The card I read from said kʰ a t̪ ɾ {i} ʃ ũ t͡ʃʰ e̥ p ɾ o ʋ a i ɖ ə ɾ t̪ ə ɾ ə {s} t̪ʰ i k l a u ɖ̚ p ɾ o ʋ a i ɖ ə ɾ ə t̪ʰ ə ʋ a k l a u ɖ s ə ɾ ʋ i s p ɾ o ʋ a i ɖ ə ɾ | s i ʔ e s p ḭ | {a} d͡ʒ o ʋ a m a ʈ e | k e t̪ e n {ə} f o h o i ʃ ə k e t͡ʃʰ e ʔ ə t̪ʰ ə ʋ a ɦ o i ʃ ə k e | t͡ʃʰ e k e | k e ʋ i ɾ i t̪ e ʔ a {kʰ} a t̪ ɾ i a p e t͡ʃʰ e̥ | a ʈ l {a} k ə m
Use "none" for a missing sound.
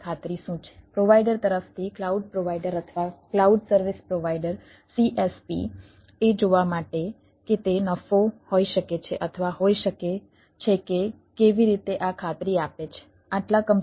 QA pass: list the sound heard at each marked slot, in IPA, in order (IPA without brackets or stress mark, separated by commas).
i, f, e, ə, kʰ, a